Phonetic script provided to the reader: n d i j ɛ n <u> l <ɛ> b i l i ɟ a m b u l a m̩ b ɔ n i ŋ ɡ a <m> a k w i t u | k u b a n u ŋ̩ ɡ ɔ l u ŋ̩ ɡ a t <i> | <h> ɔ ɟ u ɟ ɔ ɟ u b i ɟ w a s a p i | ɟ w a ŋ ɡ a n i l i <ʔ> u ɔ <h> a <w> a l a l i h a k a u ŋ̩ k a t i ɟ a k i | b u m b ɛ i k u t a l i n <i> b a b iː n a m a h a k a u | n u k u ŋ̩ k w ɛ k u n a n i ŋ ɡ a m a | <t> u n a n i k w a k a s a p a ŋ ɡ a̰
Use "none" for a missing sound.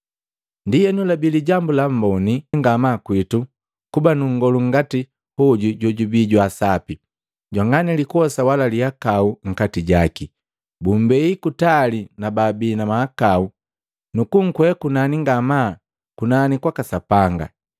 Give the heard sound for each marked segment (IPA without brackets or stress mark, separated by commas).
u, a, m, i, h, k, s, w, a, k